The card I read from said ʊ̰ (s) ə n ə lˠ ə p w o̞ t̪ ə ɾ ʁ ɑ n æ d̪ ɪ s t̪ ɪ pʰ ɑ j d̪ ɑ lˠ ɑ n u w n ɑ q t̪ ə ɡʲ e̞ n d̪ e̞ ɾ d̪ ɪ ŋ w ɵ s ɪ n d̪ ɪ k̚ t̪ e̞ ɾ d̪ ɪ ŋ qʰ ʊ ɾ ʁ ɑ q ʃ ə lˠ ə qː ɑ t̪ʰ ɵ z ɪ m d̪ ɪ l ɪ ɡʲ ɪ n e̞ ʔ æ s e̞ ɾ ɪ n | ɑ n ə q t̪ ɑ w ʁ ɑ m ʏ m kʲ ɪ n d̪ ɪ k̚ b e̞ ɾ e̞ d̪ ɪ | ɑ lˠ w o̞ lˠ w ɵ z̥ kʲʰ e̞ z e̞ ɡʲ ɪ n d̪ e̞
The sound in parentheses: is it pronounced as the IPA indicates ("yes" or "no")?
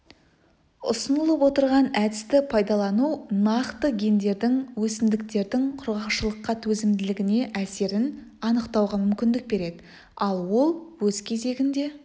yes